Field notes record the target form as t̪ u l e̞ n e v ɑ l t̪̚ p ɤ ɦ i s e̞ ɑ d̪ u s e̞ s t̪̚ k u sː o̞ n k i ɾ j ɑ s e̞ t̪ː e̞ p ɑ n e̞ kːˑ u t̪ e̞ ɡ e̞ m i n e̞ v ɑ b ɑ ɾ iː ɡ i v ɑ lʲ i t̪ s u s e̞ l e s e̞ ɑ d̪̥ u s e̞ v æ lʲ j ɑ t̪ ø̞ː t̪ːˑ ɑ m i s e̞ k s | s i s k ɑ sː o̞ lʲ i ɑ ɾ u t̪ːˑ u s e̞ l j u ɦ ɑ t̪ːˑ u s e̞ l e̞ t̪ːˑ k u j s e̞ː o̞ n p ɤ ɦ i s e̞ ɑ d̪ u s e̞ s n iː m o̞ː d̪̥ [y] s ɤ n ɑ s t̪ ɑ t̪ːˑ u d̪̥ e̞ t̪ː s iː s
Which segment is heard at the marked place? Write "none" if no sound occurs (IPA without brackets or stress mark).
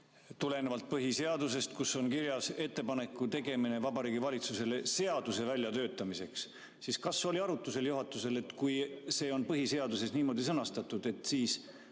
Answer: i